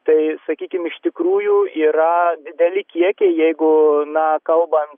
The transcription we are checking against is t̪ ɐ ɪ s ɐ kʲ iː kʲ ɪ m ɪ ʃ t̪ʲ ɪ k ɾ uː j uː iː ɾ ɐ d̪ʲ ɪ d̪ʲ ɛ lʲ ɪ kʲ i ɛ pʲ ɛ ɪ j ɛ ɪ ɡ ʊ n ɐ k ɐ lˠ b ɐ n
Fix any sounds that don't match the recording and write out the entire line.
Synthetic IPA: t̪ ɐ ɪ s ɐ kʲ iː kʲ ɪ m ɪ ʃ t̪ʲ ɪ k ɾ uː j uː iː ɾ ɐ d̪ʲ ɪ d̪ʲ ɛ lʲ ɪ kʲ i ɛ kʲ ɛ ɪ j ɛ ɪ ɡ ʊ n ɐ k ɐ lˠ b ɐ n